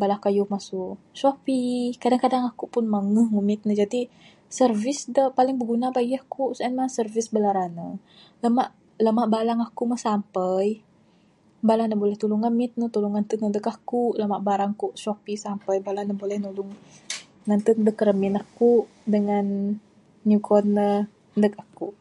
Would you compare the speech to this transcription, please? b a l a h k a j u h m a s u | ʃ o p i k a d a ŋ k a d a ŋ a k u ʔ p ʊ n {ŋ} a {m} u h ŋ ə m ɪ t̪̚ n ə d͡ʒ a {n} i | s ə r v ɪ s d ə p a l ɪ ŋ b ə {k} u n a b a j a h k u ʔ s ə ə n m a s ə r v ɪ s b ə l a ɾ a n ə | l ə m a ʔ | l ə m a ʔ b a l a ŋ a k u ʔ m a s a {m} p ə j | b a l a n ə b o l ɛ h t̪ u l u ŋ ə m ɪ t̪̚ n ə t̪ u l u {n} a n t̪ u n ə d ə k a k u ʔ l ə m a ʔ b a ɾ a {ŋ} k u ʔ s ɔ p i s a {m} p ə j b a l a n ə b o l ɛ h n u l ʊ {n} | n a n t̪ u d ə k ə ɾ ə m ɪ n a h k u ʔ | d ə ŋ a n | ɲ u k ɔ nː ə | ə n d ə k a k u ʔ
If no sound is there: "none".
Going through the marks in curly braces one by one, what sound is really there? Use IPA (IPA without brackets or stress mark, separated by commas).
m, ŋ, d, ɡ, m, ŋ, ŋ, m, ŋ